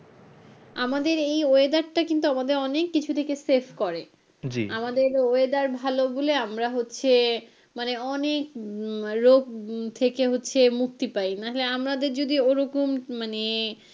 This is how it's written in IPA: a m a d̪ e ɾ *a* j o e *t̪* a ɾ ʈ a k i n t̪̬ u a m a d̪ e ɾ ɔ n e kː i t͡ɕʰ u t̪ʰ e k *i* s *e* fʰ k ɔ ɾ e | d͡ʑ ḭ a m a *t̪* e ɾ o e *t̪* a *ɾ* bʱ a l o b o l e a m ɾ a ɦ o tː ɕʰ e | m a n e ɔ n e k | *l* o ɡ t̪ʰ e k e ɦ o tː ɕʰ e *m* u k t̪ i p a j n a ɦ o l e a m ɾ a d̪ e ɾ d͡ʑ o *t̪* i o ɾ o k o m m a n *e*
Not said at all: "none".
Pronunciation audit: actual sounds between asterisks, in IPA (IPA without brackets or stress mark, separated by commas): e, d̪, e, e, d̪, d̪, ɾ, ɾ, m, d̪, e